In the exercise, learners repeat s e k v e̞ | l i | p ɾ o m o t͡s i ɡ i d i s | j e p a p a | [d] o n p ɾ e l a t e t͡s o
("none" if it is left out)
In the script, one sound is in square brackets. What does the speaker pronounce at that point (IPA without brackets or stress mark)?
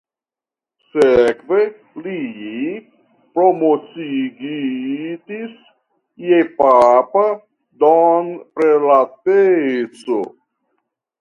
d